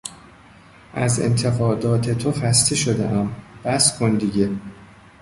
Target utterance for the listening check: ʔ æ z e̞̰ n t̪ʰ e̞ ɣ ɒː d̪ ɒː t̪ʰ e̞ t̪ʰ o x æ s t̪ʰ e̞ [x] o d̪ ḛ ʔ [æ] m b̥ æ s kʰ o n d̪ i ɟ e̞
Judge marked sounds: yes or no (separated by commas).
no, yes